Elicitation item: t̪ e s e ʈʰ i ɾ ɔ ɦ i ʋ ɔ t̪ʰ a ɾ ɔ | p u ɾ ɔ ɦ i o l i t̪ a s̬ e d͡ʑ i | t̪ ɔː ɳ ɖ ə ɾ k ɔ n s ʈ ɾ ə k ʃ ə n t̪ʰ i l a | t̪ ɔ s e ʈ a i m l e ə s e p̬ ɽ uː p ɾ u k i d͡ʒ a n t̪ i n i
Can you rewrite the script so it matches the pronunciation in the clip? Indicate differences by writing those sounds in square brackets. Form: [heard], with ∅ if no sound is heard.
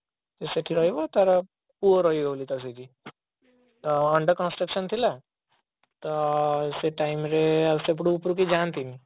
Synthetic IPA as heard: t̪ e s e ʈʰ i ɾ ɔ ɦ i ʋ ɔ [t̪] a ɾ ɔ | p u ɾ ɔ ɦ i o l i t̪ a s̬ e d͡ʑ i | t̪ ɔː ɳ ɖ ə ɾ k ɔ n s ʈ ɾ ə k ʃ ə n t̪ʰ i l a | t̪ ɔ s e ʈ a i m [ɾ] e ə s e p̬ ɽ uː p ɾ u k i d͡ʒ a n t̪ i n i